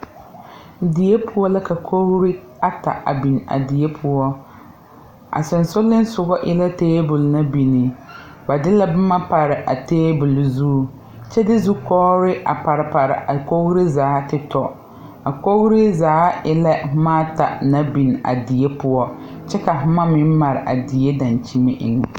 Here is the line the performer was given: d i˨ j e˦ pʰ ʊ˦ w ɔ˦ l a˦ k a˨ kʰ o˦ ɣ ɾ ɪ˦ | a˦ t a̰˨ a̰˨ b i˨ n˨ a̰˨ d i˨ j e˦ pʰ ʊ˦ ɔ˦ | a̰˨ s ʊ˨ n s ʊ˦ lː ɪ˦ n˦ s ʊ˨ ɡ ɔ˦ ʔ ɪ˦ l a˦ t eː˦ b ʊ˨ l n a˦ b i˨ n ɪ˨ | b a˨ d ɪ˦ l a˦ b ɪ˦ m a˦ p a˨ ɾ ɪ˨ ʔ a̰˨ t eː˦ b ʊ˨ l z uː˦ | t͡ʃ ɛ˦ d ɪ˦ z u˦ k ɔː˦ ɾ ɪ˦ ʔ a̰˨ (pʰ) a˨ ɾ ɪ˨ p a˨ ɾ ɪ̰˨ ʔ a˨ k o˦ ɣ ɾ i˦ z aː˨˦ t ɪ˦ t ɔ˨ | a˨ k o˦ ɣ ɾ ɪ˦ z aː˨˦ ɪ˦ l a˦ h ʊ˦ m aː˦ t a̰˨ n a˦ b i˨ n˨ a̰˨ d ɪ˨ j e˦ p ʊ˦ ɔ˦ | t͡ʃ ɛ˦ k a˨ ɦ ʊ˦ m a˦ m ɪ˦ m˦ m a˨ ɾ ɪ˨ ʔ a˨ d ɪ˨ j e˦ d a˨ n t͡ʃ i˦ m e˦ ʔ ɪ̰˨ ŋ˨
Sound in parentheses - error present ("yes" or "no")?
yes